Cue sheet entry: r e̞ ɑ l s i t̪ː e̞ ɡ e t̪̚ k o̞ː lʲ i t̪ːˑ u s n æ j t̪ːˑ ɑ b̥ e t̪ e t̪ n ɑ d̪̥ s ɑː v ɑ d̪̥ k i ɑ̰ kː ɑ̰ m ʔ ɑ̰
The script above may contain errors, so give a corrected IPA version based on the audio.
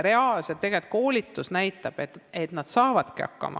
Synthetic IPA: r e̞ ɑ l s e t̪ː e̞ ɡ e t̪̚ k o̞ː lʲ i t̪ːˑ u s n æ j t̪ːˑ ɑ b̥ e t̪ e t̪ n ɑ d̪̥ s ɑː v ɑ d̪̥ k i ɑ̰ kː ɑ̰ m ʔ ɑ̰

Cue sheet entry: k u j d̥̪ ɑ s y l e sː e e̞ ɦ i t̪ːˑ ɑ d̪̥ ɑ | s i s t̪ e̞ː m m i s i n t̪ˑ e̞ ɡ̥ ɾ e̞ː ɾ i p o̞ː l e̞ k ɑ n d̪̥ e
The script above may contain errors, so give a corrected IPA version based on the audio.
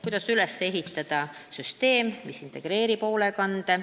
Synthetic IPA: k u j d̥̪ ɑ s y l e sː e e̞ ɦ i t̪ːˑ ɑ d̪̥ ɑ | s y s t̪ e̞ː m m i s i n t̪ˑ e̞ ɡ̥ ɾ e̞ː ɾ i p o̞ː l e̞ k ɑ n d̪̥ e

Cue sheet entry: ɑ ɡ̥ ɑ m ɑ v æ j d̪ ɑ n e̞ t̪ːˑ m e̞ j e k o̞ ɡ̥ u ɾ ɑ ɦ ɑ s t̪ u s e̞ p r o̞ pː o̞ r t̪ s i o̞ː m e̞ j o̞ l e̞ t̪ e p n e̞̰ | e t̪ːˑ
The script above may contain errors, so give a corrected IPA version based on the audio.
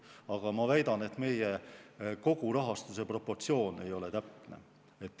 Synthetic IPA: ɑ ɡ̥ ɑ m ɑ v æ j d̪ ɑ n e̞ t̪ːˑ m e̞ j e k o̞ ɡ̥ u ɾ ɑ ɦ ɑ s t̪ u s e̞ p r o̞ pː o̞ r t̪ s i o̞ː n e̞ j o̞ l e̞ t̪ æ p n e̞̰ | e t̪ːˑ

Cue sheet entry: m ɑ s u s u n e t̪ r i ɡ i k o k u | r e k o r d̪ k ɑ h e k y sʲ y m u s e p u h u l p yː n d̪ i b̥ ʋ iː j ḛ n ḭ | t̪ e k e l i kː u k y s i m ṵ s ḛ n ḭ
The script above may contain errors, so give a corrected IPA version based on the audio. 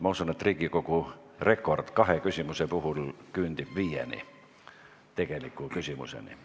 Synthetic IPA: m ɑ u s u n e t̪ r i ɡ i k o k u | r e k o r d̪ k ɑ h e k y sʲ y m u s e p u h u l k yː n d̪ i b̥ ʋ iː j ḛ n ḭ | t̪ e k e l i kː u k y s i m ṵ s ḛ n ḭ

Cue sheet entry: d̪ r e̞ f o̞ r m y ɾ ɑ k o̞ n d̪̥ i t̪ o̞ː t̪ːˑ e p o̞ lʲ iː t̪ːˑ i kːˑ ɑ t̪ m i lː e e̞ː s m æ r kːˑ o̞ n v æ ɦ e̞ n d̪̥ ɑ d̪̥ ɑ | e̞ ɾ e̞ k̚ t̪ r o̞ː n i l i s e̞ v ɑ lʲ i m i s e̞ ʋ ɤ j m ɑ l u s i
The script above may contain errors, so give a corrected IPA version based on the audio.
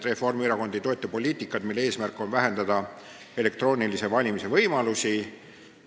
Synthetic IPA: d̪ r e̞ f o̞ r m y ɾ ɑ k o̞ n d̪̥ i t̪ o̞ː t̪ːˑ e p o̞ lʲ iː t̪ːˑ i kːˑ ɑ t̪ m i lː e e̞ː s m æ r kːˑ o̞ n v æ ɦ e̞ n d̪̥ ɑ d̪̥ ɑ | e̞ l e̞ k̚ t̪ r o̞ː n i l i s e̞ v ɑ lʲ i m i s e̞ v ɤ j m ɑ l u s i

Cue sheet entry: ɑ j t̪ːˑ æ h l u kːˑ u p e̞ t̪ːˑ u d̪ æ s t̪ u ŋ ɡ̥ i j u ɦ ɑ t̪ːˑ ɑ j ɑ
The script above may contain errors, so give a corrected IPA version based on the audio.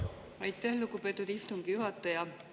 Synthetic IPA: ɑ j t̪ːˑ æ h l u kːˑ u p e̞ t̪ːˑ u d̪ i s t̪ u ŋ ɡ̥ i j u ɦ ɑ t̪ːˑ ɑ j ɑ

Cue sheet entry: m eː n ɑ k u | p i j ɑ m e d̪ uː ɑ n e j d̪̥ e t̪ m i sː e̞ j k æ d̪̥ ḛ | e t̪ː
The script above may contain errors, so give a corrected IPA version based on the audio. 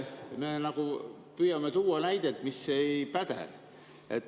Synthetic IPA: m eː n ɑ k u | p y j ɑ m e t̪ uː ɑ n æ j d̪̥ e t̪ m i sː e̞ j p æ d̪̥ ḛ | e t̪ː

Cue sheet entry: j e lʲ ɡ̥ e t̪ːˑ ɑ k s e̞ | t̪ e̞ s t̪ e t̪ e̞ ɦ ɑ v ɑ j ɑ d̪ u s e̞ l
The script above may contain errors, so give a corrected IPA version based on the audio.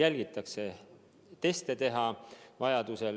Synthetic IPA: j æ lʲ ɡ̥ i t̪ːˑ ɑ k s e̞ | t̪ e̞ s t̪ e t̪ e̞ ɦ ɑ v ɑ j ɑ d̪ u s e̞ l

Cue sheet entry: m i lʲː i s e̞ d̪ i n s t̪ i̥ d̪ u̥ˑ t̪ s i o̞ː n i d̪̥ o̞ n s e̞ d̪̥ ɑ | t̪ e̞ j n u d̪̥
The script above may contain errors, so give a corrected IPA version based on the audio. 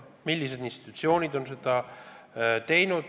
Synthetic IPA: m i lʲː i s e̞ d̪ i n s t̪ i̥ t̪ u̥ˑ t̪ s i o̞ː n i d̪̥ o̞ n s e̞ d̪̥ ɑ | t̪ e̞ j n u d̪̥

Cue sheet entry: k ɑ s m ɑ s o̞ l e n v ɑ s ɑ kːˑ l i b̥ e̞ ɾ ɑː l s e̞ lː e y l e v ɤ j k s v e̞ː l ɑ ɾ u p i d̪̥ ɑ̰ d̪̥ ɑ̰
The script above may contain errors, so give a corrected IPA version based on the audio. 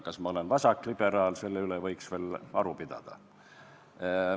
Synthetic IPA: k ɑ s m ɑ o̞ l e n v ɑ s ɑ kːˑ l i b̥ e̞ ɾ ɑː l s e̞ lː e y l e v ɤ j k s v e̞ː l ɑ ɾ u p i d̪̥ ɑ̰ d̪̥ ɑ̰

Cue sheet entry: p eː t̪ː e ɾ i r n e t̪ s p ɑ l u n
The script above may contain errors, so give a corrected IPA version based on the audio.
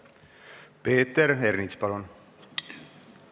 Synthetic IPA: p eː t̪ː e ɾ e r n i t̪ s p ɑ l u n

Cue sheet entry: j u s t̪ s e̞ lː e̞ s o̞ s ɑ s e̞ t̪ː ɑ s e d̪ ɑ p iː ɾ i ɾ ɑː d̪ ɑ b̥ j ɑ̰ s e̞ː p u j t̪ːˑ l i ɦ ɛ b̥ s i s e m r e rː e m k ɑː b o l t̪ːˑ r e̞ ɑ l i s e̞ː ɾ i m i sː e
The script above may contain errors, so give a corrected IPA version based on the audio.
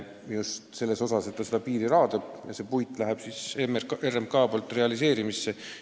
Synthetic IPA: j u s t̪ s e̞ lː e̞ s o̞ s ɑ s e̞ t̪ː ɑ s e d̪ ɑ p iː ɾ i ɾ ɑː d̪ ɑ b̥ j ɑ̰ s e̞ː p u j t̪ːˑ l æ ɦ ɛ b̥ s i s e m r e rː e m k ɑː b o l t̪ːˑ r e̞ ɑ l i s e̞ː ɾ i m i sː e

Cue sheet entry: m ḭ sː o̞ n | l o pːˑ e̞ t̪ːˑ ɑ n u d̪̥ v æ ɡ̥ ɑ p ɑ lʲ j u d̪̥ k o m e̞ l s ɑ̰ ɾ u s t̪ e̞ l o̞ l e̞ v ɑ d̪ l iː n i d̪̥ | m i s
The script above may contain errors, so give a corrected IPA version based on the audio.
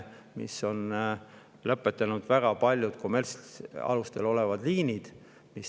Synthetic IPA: m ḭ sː o̞ n | l ɤ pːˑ e̞ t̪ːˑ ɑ n u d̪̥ v æ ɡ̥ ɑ p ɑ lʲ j u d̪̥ k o m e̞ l s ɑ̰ l u s t̪ e̞ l o̞ l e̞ v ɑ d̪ l iː n i d̪̥ | m i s

